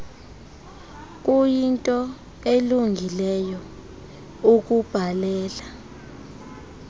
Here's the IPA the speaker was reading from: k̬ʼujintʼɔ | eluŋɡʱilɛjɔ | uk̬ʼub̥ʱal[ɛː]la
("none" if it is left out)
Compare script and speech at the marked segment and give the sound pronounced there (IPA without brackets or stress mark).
ɛː